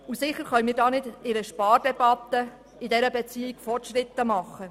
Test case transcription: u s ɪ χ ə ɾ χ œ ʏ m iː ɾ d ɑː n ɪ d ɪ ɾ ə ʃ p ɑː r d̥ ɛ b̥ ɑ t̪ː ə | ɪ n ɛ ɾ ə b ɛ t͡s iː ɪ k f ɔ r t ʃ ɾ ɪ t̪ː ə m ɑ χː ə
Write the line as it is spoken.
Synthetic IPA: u s ɪ χ ə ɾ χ œ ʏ m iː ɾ d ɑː n ɪ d ɪ ɾ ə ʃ p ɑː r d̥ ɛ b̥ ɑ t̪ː ə | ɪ d ɛ ɾ ə b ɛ t͡s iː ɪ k f ɔ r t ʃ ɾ ɪ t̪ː ə m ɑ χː ə